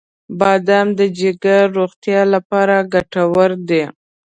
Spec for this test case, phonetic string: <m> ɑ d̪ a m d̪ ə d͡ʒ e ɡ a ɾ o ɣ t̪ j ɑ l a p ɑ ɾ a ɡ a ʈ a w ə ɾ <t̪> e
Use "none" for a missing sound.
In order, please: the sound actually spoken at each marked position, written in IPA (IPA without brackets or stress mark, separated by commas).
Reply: b, d̪